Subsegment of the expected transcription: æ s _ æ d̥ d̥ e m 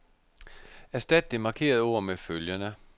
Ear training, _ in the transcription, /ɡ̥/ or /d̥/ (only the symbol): d̥